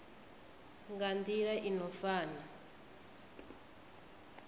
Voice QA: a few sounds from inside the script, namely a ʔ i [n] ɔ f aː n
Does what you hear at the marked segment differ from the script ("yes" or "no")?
no